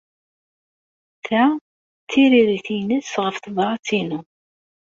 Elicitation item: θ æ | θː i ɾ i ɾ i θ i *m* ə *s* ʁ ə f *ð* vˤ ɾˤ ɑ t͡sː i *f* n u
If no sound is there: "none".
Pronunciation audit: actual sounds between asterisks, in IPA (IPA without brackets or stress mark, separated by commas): n, s, θ, none